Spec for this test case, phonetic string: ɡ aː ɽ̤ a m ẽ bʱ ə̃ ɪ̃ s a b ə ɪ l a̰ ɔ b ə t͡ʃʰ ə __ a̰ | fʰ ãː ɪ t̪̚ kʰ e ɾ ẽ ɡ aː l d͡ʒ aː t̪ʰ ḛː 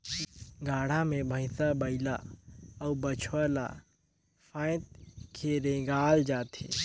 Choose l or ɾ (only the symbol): l